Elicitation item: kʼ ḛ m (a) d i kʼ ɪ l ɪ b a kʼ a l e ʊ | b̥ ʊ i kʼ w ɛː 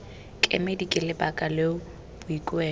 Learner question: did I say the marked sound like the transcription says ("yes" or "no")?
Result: no